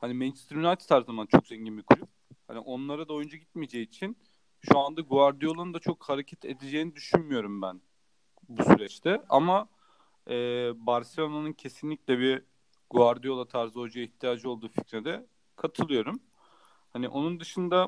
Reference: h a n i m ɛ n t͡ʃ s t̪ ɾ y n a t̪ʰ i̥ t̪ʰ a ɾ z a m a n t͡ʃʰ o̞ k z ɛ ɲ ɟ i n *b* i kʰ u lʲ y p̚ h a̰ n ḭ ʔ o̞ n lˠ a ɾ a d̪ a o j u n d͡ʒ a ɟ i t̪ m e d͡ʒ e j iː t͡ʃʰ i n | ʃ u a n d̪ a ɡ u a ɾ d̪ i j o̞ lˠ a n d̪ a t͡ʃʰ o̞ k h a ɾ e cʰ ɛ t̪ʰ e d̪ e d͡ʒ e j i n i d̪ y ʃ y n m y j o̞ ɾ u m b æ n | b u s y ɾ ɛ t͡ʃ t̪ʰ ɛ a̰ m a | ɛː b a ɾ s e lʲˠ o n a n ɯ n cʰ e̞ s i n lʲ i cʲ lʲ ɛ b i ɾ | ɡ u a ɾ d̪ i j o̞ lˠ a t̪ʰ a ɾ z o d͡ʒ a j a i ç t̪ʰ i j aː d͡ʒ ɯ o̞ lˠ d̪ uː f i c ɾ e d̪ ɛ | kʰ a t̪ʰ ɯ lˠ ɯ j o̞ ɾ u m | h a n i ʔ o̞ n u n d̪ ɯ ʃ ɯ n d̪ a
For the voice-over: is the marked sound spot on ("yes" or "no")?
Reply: yes